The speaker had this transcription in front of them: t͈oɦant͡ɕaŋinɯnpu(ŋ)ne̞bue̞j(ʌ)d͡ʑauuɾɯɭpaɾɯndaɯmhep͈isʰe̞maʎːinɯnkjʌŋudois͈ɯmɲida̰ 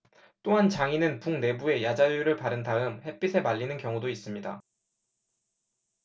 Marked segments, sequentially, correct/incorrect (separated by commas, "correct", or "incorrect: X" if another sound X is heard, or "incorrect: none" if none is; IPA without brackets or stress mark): correct, incorrect: a